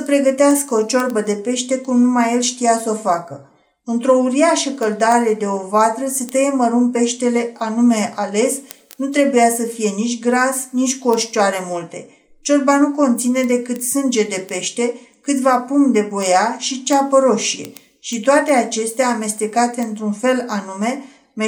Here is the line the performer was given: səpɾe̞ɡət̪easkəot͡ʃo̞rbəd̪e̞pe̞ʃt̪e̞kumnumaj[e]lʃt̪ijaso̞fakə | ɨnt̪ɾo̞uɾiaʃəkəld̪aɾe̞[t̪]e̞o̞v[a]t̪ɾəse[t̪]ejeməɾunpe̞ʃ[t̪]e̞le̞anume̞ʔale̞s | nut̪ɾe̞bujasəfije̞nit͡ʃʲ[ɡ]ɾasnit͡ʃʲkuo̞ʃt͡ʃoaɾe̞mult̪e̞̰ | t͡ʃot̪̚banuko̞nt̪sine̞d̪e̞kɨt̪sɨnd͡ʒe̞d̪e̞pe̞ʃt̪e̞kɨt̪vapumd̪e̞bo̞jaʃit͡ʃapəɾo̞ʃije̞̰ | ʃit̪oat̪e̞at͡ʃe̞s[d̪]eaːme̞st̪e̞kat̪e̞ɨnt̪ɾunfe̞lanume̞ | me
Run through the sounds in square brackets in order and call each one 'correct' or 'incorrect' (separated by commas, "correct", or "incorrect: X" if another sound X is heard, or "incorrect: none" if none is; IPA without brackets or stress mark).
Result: correct, incorrect: d̪, correct, correct, correct, correct, incorrect: t̪